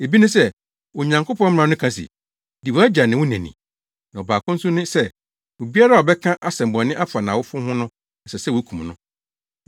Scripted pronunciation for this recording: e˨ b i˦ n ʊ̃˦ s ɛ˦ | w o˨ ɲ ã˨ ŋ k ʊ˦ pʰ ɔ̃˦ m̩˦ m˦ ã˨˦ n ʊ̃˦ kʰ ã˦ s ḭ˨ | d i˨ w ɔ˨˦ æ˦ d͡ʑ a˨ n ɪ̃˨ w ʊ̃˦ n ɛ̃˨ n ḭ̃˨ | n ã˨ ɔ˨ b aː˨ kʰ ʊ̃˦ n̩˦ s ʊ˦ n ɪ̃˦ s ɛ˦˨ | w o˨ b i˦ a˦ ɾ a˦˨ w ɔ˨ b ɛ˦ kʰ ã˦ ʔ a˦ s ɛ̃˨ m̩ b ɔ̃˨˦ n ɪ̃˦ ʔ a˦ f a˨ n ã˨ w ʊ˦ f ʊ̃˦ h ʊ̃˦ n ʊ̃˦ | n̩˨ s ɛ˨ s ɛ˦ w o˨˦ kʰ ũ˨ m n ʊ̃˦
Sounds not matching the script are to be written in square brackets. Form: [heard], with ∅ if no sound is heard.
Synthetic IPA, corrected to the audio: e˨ b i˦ n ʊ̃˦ s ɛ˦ | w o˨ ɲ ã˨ ŋ k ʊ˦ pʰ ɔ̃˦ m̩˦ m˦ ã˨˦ n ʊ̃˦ kʰ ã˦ s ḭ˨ | d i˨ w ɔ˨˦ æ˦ d͡ʑ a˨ n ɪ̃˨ w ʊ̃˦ n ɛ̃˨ n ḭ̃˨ | n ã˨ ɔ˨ b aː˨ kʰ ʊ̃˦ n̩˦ s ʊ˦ n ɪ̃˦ s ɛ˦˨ | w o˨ b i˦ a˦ ɾ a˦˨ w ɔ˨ b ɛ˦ kʰ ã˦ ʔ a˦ s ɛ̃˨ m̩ b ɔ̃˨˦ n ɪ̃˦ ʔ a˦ f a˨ n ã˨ w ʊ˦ f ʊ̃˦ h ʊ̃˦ n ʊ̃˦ | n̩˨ s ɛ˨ s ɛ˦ w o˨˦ kʰ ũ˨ m n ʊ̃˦